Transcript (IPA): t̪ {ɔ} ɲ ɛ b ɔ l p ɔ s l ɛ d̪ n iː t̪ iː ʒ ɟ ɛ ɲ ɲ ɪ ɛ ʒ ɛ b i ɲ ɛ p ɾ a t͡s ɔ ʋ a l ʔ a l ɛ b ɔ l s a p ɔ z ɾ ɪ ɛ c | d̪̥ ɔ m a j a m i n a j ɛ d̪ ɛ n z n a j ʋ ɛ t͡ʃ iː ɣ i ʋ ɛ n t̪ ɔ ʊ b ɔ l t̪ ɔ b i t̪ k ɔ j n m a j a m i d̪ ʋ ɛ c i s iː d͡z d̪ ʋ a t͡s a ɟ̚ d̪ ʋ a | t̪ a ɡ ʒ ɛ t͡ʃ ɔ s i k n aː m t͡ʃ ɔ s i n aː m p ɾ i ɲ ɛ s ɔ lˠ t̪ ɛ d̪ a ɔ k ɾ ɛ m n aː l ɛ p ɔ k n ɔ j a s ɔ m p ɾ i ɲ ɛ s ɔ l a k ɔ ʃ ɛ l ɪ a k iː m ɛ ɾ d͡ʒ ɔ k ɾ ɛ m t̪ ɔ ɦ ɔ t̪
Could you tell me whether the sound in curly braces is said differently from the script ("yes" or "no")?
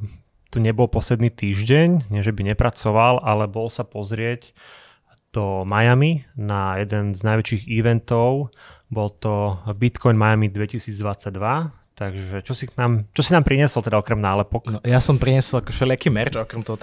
yes